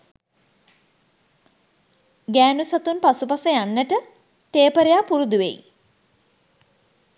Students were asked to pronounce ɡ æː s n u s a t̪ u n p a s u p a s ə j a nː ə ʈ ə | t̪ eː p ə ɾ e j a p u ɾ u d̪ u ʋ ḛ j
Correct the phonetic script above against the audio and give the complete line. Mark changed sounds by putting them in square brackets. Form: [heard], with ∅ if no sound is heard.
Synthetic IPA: ɡ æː [∅] n u s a t̪ u n p a s u p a s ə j a nː ə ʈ ə | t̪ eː p ə ɾ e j a p u ɾ u d̪ u ʋ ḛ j